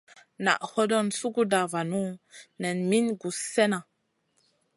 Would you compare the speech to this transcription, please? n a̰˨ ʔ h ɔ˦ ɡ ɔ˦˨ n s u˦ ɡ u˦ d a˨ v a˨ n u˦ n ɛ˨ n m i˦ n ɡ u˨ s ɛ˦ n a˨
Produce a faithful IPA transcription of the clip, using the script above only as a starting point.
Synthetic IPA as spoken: n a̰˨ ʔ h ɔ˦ d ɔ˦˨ n s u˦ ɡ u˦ d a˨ v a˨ n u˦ n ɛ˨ n m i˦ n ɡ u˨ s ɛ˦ n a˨